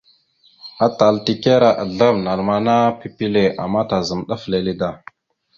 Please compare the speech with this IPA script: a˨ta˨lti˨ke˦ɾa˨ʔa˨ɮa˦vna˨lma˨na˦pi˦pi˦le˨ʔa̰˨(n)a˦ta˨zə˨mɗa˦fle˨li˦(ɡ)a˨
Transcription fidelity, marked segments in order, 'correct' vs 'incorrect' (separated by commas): incorrect, incorrect